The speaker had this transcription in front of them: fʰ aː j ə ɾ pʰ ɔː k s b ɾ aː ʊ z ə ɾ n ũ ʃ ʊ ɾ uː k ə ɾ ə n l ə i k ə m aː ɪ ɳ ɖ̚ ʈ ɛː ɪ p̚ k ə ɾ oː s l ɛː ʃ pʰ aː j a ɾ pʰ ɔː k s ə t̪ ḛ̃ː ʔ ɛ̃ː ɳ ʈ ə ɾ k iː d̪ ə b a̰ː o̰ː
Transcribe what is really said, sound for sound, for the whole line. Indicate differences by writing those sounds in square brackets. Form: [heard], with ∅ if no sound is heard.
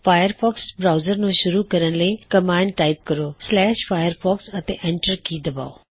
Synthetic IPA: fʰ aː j ə ɾ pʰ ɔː k s b ɾ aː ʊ z ə ɾ n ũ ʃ ʊ ɾ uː k ə ɾ ə n l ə i k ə m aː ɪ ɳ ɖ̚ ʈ [aː] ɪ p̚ k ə ɾ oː s l ɛː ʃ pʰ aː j [ə] ɾ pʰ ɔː k s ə t̪ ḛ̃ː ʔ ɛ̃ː ɳ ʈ ə ɾ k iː d̪ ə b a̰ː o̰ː